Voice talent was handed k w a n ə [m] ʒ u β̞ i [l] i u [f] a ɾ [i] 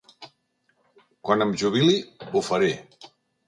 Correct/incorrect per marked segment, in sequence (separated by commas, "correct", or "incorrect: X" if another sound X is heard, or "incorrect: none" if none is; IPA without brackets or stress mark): correct, correct, correct, incorrect: e